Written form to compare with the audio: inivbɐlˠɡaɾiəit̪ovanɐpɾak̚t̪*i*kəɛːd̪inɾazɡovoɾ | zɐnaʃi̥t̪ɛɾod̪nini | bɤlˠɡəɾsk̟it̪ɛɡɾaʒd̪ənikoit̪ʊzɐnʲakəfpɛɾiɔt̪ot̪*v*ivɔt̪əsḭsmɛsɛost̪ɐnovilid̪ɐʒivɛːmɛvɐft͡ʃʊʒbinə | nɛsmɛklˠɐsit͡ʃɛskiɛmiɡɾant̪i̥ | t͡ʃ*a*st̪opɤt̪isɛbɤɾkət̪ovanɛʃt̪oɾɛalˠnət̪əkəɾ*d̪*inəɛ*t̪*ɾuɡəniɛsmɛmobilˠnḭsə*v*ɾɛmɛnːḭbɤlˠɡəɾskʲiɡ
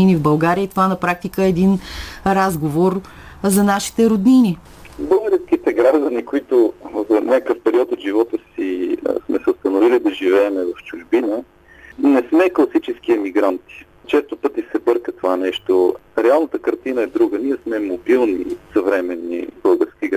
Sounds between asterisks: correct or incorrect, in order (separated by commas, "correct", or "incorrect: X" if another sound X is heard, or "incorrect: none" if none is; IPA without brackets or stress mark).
correct, incorrect: ʒ, incorrect: ɛ, incorrect: t̪, incorrect: d̪, correct